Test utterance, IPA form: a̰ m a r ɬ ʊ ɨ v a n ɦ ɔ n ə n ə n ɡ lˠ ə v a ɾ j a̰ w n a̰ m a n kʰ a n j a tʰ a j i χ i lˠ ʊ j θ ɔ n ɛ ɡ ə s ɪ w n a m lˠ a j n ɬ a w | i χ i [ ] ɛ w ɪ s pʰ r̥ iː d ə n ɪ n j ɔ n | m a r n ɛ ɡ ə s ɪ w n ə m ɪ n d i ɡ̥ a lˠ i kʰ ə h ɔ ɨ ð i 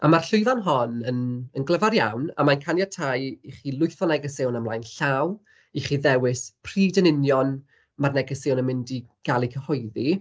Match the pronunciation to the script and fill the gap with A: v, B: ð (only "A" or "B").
B